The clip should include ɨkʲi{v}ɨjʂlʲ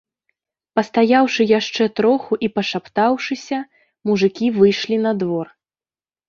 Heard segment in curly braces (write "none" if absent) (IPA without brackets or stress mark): v